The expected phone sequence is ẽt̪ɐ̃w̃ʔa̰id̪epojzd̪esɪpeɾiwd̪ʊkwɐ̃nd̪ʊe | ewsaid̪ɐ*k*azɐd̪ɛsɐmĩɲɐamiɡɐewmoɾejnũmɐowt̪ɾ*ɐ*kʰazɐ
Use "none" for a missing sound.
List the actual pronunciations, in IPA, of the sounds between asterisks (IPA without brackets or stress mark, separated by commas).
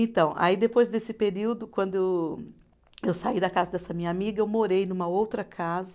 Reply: k, ɐ